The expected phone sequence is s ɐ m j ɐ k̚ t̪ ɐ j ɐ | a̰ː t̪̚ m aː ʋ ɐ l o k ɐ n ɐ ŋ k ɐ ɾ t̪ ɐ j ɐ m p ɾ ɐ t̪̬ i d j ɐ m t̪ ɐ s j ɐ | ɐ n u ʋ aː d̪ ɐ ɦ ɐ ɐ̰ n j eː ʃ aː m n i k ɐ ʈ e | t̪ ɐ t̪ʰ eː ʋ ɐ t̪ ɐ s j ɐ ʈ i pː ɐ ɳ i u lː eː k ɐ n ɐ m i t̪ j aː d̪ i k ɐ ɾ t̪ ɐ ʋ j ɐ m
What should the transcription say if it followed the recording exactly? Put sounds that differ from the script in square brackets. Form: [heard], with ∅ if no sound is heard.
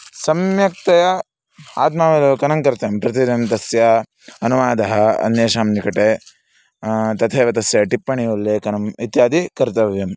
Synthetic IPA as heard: s ɐ m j ɐ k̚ t̪ ɐ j ɐ | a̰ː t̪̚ m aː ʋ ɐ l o k ɐ n ɐ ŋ k ɐ ɾ t̪ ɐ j ɐ m p ɾ ɐ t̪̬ i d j ɐ m t̪ ɐ s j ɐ | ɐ n u ʋ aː d̪ ɐ ɦ ɐ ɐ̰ n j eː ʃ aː m n i k ɐ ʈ e | t̪ ɐ t̪ʰ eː ʋ ɐ t̪ ɐ s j ɐ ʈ i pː ɐ ɳ i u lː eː k ɐ n ɐ m i t̪ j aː d̪ i k ɐ ɾ t̪ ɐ ʋ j ɐ m